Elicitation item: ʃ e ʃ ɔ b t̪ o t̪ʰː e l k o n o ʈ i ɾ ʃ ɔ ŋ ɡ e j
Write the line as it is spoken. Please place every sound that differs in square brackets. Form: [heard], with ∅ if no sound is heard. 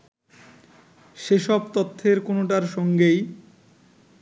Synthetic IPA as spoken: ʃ e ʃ ɔ b t̪ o t̪ʰː e [ɾ] k o n o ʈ [a] ɾ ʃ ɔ ŋ ɡ e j